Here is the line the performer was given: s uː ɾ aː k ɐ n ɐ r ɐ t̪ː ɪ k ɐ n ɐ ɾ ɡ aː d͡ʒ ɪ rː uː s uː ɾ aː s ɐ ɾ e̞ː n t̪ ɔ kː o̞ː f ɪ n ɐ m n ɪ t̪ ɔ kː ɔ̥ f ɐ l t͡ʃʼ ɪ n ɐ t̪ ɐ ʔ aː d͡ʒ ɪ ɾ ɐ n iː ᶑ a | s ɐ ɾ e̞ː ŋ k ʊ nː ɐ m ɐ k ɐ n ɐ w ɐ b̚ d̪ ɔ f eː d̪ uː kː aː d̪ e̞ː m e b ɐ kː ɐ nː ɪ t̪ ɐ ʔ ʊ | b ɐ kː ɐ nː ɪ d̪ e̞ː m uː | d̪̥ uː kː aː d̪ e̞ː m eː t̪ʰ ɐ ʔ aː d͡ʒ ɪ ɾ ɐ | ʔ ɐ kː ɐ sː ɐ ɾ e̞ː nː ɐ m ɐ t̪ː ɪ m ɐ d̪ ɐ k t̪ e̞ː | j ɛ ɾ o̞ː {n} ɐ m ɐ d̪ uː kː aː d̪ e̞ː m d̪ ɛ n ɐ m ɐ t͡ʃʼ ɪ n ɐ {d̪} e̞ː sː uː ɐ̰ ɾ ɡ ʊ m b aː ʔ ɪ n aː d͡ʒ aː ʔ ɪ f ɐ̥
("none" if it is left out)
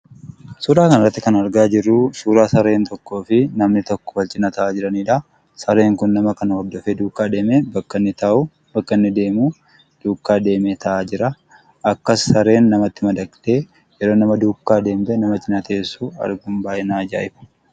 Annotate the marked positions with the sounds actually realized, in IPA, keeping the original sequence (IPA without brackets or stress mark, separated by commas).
n, t̪